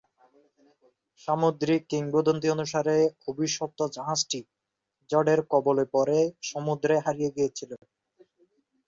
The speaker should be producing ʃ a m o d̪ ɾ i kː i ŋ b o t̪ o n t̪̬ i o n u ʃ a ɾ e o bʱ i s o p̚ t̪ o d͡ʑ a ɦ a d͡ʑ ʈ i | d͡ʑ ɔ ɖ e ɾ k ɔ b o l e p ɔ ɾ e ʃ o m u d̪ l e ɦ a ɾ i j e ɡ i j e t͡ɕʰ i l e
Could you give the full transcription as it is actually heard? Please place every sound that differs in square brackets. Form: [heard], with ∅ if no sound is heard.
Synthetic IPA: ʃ a m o d̪ ɾ i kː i ŋ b o [d̪] o n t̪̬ i o n u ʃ a ɾ e o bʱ i [ʃ] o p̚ t̪ o d͡ʑ a ɦ a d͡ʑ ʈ i | d͡ʑ ɔ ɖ e ɾ k ɔ b o l e p ɔ ɾ e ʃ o m u d̪ [ɾ] e ɦ a ɾ i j e ɡ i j e t͡ɕʰ i l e